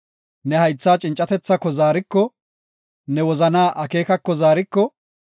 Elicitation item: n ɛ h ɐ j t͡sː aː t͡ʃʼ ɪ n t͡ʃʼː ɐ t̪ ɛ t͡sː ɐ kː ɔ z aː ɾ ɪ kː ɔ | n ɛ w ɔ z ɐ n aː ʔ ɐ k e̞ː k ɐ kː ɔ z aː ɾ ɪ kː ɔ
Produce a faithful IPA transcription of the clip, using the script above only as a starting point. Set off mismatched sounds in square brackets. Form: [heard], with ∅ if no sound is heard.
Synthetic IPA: n ɛ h ɐ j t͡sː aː t͡ʃʼ ɪ n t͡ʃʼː ɐ t̪ ɛ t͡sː ɐ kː ɔ z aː ɾ ɪ kː ɔ | n ɛ w ɔ z ɐ n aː ʔ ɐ k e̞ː k ɐ kː ɔ z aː ɾ ɪ kː ɔ